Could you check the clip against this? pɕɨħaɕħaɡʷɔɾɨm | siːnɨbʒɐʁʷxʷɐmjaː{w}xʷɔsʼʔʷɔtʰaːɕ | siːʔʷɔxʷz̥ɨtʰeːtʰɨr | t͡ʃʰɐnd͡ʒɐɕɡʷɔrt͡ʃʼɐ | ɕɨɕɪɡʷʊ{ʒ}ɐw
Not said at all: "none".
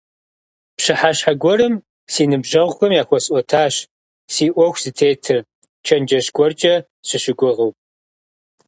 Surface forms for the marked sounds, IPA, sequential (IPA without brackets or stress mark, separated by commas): none, ʁ